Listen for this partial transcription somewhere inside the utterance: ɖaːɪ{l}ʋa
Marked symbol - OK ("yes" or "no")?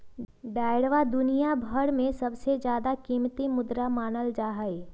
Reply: no